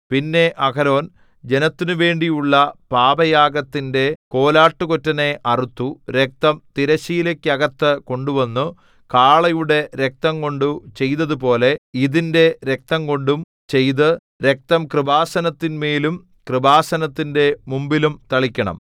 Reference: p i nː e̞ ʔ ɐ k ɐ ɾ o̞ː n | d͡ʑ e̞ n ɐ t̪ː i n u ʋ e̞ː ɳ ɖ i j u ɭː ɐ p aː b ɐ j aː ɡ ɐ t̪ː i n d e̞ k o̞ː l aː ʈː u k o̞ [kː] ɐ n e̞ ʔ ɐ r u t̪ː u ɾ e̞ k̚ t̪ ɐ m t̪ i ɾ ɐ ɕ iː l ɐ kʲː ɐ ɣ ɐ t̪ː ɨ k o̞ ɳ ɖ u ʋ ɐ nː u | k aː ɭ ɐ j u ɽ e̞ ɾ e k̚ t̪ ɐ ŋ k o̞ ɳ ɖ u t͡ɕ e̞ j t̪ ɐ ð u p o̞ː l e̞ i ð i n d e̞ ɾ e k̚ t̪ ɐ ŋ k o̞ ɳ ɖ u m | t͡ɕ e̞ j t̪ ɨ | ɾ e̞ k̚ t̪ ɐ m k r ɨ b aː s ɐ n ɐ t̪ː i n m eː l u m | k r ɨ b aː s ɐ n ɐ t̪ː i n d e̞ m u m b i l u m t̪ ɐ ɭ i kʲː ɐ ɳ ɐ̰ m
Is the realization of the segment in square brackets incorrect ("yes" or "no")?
yes